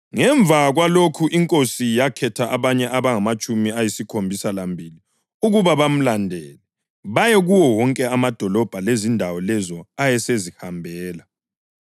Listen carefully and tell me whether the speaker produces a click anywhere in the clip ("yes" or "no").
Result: no